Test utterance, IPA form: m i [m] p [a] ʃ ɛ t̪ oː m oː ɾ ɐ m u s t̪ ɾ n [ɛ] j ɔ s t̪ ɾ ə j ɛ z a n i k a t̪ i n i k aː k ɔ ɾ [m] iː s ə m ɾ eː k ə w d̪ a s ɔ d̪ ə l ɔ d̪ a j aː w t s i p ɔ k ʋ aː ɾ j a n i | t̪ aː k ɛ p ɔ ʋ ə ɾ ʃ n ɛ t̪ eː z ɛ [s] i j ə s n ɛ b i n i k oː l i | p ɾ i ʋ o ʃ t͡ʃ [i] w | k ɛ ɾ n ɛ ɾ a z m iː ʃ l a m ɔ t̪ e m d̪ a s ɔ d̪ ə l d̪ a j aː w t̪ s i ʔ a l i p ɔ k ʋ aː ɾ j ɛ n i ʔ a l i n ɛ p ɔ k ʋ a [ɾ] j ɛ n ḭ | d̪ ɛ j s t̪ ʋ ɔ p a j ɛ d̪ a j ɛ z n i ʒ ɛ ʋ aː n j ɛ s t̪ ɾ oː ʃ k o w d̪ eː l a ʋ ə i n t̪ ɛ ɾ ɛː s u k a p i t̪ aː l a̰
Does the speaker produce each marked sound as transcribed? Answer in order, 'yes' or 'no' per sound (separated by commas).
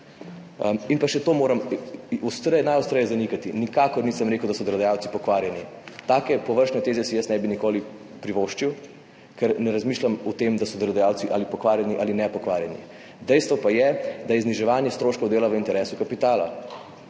no, yes, no, no, yes, yes, yes